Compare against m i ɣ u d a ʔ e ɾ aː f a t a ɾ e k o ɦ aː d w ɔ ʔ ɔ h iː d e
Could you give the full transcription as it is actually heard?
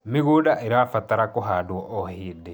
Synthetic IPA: m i ɣ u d a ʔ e ɾ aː f a t a ɾ a k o ɦ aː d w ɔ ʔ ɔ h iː d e